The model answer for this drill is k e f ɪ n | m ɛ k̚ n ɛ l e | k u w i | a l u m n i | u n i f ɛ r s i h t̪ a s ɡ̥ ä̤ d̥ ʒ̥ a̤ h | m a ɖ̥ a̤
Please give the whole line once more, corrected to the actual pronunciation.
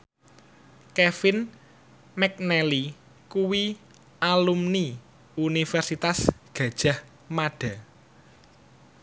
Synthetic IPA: k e f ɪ n | m ɛ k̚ n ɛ l i | k u w i | a l u m n i | u n i f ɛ r s i t̪ a s ɡ̥ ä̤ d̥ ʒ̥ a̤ h | m a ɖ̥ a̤